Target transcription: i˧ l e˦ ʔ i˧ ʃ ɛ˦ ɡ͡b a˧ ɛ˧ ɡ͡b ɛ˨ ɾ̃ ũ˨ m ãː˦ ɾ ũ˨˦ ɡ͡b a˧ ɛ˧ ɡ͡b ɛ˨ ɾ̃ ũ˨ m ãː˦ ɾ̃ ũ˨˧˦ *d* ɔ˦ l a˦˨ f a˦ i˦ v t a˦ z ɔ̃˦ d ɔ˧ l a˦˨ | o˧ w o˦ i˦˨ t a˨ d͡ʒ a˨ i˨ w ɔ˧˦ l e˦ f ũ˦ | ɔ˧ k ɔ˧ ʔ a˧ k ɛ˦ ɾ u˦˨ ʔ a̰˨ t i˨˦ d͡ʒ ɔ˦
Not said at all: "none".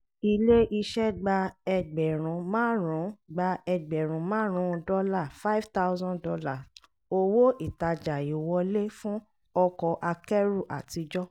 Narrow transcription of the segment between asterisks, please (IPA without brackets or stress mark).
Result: d